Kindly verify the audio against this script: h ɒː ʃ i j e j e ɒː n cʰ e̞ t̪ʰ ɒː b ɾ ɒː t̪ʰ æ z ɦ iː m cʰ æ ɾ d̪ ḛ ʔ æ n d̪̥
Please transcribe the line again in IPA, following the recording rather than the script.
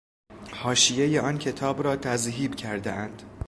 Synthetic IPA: h ɒː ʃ i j e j e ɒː n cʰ e̞ t̪ʰ ɒː b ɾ ɒː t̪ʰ æ z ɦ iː b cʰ æ ɾ d̪ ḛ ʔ æ n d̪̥